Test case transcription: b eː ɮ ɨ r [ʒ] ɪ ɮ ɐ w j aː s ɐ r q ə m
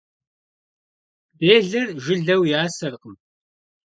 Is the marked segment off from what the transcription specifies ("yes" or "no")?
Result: no